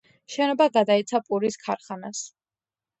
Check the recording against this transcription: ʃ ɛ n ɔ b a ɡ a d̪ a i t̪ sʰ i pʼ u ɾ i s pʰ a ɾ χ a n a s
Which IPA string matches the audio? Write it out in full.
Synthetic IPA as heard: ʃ ɛ n ɔ b a ɡ a d̪ a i t̪ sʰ a pʼ u ɾ i s kʰ a ɾ χ a n a s